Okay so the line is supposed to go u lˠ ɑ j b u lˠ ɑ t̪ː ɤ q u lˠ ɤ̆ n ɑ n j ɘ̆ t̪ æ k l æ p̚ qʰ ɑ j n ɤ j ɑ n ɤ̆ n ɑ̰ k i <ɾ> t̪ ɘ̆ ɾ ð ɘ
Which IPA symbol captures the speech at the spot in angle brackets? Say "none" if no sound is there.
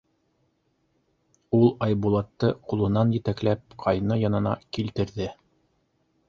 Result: l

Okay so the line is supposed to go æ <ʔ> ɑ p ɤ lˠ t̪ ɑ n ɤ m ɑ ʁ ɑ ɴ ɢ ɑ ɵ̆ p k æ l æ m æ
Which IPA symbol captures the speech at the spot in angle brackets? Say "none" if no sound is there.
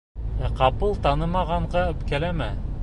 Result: q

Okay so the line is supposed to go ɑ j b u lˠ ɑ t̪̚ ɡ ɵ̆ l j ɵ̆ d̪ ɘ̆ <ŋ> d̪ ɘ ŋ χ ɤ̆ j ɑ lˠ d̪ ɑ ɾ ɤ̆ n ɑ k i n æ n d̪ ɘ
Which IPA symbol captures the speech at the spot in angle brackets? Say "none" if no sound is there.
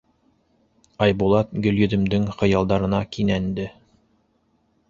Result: m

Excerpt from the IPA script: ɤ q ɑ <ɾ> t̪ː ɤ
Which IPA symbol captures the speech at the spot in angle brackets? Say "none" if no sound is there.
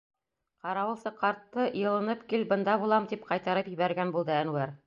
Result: ɾ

